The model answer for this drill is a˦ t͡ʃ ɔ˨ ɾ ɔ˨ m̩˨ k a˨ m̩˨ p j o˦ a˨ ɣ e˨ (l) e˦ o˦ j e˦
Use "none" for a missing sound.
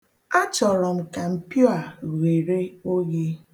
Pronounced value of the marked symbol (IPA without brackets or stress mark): ɾ